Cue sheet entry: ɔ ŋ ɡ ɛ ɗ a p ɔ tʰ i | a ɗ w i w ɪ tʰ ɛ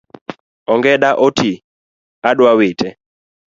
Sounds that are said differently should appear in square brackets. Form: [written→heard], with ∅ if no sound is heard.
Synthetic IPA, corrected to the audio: ɔ ŋ ɡ ɛ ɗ a [p→ʔ] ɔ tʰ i | a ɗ w [i→a] w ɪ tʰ ɛ